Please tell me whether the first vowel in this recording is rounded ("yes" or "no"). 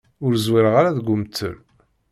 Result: yes